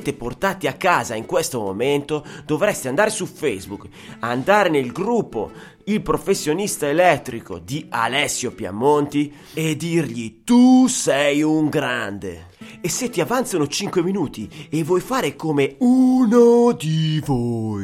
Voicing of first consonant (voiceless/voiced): voiceless